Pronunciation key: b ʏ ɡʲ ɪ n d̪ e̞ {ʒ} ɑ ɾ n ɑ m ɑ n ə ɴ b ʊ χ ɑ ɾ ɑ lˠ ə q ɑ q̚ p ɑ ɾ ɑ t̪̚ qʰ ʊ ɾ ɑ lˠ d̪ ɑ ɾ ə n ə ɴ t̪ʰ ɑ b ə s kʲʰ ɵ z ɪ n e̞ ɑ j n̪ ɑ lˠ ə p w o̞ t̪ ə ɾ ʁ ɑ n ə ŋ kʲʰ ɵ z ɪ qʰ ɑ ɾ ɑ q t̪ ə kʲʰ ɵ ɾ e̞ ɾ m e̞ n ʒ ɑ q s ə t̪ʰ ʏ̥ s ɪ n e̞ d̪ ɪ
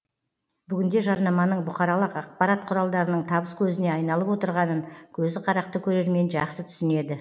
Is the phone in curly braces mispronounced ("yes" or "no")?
no